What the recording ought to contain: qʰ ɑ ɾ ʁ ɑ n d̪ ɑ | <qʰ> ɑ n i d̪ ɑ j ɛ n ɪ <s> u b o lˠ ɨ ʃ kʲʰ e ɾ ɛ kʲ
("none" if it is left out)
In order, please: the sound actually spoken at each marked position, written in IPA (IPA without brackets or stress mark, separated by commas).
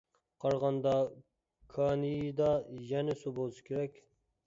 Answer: kʰ, s